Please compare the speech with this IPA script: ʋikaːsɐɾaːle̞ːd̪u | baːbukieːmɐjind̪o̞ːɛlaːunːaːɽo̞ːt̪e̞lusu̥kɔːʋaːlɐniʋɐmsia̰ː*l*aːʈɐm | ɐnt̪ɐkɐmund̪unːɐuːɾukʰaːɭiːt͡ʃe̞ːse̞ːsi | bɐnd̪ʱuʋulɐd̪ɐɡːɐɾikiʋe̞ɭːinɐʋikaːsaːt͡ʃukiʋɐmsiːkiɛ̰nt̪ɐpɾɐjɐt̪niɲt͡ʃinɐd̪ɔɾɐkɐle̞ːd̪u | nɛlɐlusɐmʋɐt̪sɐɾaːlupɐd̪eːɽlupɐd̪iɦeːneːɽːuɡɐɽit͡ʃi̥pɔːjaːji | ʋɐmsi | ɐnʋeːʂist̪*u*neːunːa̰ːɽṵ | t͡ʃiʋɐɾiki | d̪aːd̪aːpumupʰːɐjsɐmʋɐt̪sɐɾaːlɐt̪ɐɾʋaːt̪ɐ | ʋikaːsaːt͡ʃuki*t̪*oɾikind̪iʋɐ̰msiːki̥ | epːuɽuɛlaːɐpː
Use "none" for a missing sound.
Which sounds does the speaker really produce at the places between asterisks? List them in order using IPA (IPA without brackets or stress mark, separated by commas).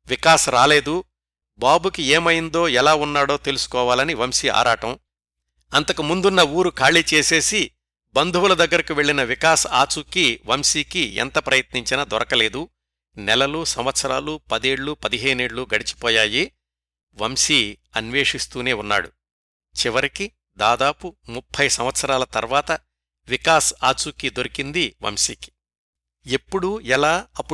ɾ, uː, d̪